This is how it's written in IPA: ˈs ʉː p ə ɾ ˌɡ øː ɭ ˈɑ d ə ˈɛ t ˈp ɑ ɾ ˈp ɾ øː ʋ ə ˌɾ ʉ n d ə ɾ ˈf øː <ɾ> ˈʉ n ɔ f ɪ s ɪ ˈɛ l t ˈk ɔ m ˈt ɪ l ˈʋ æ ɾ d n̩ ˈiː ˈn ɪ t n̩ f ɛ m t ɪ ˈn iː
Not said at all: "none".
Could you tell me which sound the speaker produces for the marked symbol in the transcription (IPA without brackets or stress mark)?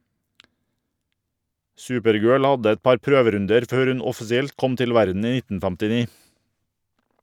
ɾ